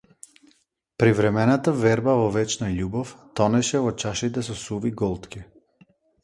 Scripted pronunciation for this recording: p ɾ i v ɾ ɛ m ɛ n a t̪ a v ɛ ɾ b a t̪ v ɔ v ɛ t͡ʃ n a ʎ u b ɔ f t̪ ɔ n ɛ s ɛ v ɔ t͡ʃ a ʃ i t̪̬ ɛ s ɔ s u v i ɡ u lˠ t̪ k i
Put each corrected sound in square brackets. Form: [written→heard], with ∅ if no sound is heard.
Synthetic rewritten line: p ɾ i v ɾ ɛ m ɛ n a t̪ a v ɛ ɾ b a [t̪→∅] v ɔ v ɛ t͡ʃ n a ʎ u b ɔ f t̪ ɔ n ɛ [s→ʃ] ɛ v ɔ t͡ʃ a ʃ i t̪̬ ɛ s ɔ s u v i ɡ [u→ɔ] lˠ t̪ k i